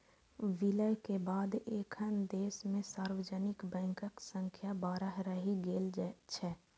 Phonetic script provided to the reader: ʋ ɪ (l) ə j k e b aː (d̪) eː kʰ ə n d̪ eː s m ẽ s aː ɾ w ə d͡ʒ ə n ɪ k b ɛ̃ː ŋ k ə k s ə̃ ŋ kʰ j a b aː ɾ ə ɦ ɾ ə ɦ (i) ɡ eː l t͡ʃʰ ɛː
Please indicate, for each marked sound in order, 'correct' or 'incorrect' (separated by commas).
correct, correct, correct